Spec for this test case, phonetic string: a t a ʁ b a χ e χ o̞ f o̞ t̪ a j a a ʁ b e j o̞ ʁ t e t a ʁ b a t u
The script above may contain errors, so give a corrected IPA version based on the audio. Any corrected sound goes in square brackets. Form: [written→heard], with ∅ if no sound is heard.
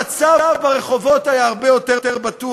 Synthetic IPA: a [t→t͡s] a [ʁ→v] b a [χ→ʁ] e χ o̞ [f→v] o̞ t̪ a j a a ʁ b e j o̞ [ʁ→∅] t e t [a→e] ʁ b a t u

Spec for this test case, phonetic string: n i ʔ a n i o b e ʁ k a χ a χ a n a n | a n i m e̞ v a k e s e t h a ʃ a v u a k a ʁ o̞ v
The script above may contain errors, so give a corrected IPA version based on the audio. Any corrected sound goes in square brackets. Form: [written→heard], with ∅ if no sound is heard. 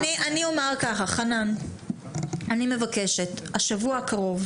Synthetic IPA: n i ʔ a n i o [b→m] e ʁ k a χ a χ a n a n | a n i m e̞ v a k e [s→ʃ] e t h a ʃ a v u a k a ʁ o̞ v

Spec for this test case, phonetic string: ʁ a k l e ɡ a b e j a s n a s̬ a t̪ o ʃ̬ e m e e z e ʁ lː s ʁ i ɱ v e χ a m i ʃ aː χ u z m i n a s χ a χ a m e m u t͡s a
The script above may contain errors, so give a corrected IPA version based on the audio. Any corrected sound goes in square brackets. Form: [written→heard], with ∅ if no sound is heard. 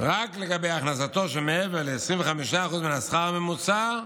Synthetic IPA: ʁ a k l e ɡ a b e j a [s→χ] n a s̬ a t̪ o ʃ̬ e m e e [z→v] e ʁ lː s ʁ i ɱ v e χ a m i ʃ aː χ u z m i n a s χ a [χ→ʁ] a m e m u t͡s a

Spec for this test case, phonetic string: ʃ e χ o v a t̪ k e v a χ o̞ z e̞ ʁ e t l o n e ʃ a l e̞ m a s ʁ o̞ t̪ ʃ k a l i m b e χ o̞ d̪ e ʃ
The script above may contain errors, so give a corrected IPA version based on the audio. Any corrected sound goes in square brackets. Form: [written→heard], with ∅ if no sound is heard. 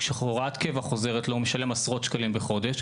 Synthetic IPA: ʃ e χ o [v→ʁ] a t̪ k e v a χ o̞ z e̞ ʁ e t l o [n→m] e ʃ a l e̞ m a s ʁ o̞ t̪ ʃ k a l i m b e χ o̞ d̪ e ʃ

